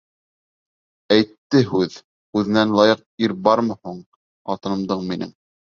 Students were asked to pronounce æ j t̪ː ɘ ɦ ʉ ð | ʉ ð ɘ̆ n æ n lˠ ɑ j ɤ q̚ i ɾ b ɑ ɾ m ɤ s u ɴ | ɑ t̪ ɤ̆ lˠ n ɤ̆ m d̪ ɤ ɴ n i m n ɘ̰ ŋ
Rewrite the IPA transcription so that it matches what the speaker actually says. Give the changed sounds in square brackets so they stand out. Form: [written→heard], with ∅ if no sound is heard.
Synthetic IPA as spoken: æ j t̪ː ɘ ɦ ʉ ð | ʉ ð ɘ̆ n æ n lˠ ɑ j ɤ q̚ i ɾ b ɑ ɾ m ɤ [s→h] u ɴ | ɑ t̪ ɤ̆ [lˠ→∅] n ɤ̆ m d̪ ɤ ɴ [n→m] i [m→∅] n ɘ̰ ŋ